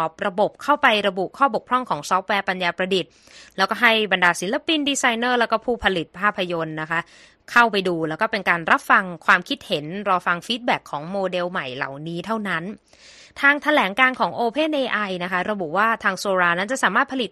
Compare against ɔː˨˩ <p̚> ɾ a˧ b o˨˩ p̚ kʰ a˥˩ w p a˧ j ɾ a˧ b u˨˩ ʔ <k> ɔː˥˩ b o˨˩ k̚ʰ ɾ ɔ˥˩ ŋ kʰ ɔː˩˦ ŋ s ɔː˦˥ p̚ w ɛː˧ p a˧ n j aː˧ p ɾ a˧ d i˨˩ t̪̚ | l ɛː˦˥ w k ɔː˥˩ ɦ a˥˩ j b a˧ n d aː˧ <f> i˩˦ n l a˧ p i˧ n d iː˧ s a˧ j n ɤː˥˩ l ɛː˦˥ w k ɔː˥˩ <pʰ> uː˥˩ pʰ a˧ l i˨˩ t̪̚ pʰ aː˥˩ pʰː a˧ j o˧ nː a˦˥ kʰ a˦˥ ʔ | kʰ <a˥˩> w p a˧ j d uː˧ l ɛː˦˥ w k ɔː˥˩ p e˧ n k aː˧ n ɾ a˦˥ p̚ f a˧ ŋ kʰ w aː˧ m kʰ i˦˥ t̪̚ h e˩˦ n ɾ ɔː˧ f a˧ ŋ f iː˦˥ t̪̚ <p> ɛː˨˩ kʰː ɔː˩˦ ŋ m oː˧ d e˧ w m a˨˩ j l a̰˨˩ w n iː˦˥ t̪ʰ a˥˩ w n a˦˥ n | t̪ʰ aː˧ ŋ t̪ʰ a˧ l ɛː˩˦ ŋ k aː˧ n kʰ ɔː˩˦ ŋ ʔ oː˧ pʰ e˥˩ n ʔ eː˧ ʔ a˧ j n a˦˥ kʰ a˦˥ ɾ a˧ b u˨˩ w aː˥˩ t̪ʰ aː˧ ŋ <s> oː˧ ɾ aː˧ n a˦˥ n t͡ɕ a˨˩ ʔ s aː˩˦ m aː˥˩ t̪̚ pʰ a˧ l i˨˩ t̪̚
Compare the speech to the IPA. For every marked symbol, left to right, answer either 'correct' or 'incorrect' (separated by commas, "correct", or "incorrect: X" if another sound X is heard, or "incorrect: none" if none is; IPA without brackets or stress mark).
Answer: correct, incorrect: kʰ, incorrect: s, correct, correct, incorrect: b, correct